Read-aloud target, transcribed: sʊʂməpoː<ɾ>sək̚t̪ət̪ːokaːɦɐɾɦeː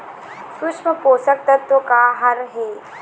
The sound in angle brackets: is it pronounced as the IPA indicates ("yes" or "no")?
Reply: no